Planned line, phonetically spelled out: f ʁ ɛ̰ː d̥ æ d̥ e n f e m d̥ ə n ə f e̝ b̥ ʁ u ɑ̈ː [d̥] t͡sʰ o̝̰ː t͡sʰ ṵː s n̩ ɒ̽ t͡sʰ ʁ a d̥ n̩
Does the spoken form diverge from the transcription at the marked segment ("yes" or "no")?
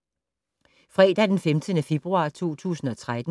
yes